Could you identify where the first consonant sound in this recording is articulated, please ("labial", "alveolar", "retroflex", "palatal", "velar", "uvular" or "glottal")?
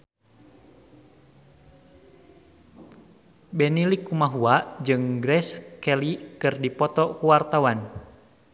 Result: labial